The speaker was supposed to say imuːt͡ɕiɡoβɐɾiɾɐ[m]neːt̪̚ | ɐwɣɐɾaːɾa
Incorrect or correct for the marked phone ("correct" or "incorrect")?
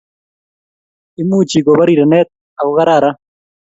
incorrect